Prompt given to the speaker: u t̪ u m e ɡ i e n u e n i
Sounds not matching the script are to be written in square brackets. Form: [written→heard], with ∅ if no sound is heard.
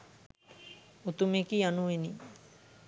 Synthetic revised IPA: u t̪ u m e [ɡ→k] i [e→a] n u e n i